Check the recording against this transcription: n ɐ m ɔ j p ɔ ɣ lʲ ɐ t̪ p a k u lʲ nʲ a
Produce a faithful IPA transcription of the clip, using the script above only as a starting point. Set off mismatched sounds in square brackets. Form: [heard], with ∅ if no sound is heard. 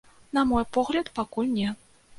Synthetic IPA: n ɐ m ɔ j p ɔ ɣ lʲ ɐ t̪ p a k u lʲ nʲ [ɛ]